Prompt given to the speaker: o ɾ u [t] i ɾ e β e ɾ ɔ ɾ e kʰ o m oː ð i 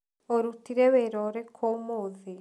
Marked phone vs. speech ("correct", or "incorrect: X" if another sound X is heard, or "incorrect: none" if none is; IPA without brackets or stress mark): correct